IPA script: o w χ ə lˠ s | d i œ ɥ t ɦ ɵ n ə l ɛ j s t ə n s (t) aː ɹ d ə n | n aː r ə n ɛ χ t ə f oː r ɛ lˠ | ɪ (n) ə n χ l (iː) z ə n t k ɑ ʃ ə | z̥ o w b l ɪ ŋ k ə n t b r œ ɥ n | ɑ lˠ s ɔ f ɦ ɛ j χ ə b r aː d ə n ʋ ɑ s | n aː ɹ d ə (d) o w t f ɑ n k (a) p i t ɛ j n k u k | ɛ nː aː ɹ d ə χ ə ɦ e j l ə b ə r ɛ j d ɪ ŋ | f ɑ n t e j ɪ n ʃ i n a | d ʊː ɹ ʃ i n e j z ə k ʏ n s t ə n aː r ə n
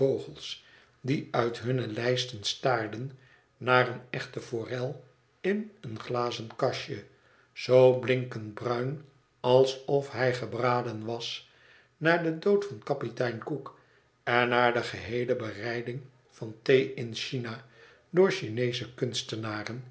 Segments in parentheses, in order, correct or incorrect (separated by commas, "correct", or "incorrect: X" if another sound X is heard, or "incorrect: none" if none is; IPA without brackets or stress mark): correct, correct, incorrect: aː, correct, incorrect: ɑ